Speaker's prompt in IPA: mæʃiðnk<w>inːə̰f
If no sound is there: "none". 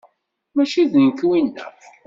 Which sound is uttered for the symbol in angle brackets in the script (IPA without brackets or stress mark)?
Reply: w